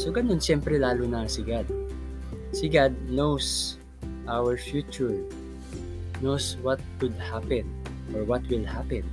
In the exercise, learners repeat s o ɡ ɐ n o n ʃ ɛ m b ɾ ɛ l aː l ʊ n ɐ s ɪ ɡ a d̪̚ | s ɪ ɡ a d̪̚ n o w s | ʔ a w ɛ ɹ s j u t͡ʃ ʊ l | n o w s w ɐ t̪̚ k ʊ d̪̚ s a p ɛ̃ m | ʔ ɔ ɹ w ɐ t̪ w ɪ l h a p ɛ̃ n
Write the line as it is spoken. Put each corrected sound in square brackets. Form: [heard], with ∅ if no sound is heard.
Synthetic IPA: s o ɡ ɐ n o n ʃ ɛ m [p] ɾ ɛ l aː l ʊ n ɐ s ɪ ɡ a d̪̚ | s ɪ ɡ a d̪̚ n o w s | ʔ a w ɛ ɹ [f] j u t͡ʃ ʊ [ɹ] | n o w s w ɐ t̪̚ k ʊ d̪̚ [h] a p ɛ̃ [n] | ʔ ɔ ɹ w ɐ t̪ w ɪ l h a p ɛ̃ n